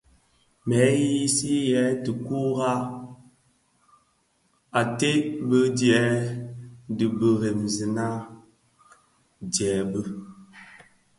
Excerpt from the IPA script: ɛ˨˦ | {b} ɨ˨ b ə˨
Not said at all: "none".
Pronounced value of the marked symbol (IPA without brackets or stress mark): d